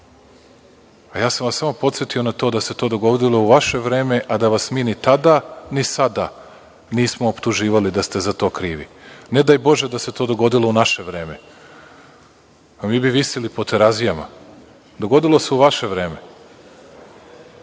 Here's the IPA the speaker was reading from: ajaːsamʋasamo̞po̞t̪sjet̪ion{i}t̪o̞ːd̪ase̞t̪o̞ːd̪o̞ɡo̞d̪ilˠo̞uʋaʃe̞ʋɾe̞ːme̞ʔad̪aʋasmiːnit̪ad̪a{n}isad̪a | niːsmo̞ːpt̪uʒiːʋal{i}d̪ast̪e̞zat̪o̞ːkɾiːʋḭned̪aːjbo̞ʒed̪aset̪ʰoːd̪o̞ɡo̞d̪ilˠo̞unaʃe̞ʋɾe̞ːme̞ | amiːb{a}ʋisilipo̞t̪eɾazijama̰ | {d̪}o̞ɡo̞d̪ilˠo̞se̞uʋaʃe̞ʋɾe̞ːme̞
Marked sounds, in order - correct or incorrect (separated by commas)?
incorrect, correct, correct, incorrect, correct